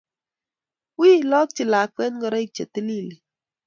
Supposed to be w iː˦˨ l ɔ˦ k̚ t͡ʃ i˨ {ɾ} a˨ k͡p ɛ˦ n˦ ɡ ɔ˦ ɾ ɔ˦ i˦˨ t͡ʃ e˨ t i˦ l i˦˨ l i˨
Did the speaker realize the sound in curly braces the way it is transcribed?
no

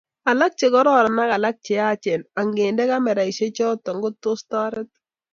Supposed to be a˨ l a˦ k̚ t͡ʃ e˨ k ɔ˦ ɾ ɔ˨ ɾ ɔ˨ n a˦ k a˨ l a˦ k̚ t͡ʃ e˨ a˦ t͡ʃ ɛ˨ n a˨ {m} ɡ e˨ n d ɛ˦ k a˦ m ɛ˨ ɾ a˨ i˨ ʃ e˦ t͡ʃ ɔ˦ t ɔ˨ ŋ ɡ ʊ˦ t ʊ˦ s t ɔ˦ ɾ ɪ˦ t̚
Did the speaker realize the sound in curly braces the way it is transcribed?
no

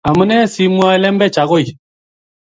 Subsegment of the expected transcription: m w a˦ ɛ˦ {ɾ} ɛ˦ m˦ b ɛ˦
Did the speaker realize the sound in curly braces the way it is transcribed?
no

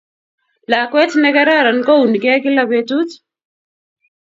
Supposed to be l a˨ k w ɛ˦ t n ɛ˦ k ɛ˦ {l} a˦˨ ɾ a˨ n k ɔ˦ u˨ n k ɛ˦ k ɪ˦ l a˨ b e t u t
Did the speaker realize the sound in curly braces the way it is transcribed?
no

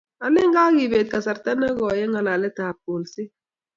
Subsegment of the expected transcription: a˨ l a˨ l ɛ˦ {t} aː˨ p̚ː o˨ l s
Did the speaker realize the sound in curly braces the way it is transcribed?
yes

